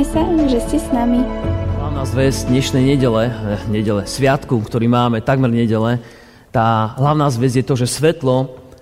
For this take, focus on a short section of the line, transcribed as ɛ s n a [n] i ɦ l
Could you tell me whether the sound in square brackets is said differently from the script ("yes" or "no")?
yes